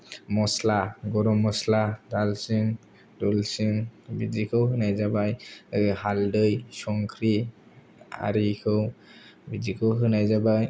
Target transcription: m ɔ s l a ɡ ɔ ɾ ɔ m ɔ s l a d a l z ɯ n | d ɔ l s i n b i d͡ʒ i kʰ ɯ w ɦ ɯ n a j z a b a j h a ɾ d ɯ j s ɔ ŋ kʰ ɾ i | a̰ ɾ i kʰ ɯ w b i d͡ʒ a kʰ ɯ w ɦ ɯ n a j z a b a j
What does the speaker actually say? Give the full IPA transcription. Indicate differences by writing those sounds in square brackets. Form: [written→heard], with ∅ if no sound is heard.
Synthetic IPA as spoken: m ɔ s l a ɡ ɔ ɾ ɔ m ɔ s l a d a l [z→s] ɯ [n→ŋ] | d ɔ l s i [n→ŋ] b i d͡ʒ i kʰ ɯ w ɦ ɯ n a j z a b a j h a [ɾ→l] d ɯ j s ɔ ŋ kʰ ɾ i | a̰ ɾ i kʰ ɯ w b i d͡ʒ [a→i] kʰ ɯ w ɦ ɯ n a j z a b a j